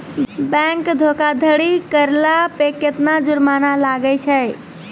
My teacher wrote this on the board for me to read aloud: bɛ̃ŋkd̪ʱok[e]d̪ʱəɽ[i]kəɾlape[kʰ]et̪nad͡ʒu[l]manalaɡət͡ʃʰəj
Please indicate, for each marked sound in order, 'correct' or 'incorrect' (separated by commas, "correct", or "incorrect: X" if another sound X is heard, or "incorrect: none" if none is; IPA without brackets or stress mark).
incorrect: a, correct, incorrect: k, incorrect: ɾ